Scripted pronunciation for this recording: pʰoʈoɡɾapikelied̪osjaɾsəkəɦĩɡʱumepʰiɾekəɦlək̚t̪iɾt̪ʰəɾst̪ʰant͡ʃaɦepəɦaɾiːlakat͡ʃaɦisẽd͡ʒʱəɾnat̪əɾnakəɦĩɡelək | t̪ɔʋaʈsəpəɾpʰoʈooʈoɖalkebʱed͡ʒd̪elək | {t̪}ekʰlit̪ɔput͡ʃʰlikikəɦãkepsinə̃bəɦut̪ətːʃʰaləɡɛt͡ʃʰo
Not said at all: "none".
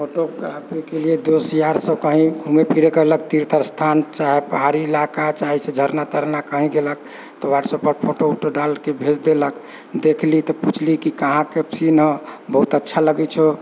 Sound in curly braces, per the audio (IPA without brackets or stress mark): d̪